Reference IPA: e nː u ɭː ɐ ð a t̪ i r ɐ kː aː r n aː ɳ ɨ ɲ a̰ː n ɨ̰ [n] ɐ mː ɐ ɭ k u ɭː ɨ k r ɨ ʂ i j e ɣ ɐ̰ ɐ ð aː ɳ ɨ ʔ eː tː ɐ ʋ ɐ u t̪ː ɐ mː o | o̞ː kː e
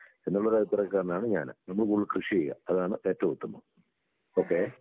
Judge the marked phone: correct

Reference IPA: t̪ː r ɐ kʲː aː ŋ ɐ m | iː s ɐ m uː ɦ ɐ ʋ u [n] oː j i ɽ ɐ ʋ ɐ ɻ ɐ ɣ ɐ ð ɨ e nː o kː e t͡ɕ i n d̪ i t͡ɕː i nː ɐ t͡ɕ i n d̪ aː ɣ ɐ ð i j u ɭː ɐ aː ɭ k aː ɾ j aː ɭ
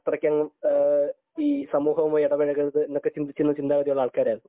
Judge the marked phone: incorrect: m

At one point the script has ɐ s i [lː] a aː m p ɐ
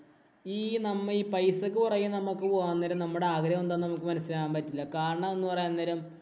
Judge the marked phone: incorrect: l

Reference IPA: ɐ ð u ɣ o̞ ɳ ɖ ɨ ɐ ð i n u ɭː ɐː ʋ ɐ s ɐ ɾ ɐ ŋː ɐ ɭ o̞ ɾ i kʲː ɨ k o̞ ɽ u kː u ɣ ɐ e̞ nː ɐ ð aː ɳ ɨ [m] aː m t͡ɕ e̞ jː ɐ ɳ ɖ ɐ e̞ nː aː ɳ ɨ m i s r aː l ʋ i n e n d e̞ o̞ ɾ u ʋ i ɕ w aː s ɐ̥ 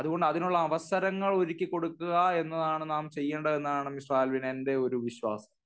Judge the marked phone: incorrect: n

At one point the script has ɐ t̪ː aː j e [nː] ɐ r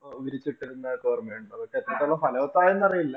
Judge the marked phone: correct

